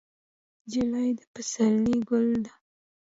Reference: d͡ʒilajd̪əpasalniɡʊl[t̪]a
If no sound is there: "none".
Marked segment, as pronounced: d̪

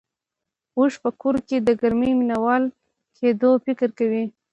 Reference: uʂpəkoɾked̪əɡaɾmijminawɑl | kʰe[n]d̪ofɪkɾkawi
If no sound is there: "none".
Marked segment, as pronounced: none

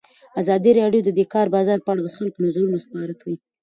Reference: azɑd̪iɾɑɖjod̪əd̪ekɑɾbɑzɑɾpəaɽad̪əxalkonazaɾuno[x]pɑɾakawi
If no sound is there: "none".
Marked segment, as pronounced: s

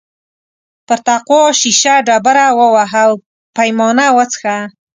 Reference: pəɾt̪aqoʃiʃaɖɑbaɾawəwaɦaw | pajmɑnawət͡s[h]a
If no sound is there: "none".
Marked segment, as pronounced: x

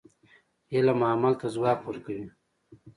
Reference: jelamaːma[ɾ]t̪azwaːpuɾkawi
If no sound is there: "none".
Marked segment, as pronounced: l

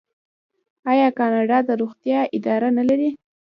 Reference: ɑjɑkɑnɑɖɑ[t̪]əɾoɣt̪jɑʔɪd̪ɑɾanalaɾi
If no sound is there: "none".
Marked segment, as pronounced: d̪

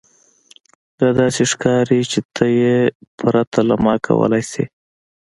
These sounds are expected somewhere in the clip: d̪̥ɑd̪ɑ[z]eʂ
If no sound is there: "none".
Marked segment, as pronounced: s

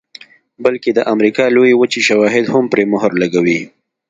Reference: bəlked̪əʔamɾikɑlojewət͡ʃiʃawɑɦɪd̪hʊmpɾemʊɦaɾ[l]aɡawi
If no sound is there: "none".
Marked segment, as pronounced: l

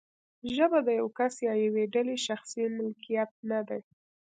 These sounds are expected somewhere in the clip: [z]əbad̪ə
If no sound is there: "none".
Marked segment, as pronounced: ʒ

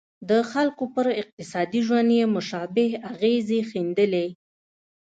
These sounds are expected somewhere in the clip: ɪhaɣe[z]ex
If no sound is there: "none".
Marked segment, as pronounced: z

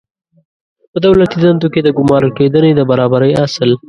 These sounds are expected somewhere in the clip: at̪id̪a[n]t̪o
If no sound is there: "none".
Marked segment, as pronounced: n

